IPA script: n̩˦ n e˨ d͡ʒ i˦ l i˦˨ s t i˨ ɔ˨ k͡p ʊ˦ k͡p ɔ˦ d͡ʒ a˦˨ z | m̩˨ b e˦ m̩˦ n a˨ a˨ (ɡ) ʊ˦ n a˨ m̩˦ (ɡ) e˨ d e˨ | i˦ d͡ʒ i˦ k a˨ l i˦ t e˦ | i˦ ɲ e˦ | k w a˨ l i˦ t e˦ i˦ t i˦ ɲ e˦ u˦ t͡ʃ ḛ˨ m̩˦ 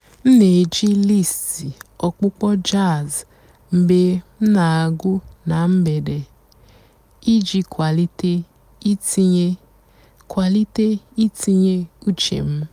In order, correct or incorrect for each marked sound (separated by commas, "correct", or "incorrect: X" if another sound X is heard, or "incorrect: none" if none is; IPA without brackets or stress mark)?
correct, incorrect: b